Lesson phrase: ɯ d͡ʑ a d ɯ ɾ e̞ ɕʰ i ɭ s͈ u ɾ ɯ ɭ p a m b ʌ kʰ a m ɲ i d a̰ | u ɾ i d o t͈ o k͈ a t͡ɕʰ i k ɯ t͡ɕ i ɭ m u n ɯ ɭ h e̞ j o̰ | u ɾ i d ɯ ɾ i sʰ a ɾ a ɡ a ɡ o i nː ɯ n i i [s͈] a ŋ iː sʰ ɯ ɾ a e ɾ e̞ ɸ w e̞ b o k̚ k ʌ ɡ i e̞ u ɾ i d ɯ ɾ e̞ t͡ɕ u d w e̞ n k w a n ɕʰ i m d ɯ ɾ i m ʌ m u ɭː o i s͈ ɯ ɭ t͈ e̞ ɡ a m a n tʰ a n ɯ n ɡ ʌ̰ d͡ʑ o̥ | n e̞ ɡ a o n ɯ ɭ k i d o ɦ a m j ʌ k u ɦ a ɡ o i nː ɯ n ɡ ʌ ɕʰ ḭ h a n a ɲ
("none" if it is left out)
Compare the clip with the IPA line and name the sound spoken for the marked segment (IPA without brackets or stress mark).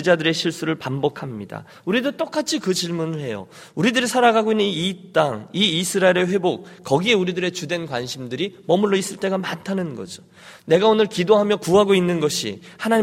t͈